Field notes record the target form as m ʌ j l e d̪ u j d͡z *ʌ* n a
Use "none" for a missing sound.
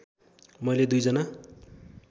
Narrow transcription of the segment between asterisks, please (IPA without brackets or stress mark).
ʌ